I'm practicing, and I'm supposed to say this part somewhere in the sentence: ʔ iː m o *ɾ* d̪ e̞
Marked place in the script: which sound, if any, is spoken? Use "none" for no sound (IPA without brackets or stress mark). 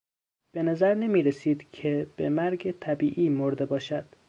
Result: ɾ